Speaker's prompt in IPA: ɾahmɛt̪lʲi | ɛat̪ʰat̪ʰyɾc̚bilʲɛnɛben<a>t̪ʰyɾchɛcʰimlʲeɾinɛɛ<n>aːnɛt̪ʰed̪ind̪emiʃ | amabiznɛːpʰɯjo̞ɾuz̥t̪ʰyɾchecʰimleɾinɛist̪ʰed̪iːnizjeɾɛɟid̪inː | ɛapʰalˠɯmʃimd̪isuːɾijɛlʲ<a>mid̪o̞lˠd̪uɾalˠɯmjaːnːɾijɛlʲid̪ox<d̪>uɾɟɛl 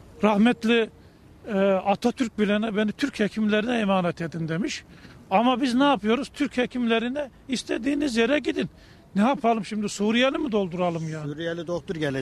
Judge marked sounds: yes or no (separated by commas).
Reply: no, no, no, no